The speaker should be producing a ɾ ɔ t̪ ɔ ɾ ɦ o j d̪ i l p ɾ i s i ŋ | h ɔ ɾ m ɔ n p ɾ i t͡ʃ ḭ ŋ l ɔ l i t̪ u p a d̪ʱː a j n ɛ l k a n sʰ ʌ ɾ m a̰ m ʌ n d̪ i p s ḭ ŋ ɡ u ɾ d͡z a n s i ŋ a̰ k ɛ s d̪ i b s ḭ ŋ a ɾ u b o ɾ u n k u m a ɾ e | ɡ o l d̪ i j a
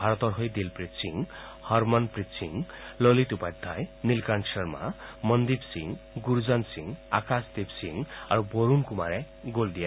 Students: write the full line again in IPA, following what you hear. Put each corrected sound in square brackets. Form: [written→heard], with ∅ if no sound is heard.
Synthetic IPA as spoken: a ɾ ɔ t̪ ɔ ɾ ɦ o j d̪ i l p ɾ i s i ŋ | h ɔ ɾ m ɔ n p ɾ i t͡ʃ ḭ ŋ l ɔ l i t̪ u p a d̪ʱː a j n [ɛ→i] l k a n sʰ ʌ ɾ m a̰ m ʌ n d̪ i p s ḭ ŋ ɡ u ɾ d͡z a n s i ŋ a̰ k [ɛ→a] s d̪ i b s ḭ ŋ a ɾ u b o ɾ u n k u m a ɾ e | ɡ o l d̪ i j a